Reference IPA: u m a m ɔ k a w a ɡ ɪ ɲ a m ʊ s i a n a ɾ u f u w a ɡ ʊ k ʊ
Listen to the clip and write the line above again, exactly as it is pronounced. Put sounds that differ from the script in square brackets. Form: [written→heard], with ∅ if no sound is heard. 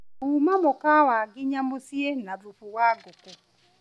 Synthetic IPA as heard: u m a m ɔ k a w a ɡ ɪ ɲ a m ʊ s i [a→e] n a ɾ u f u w a ɡ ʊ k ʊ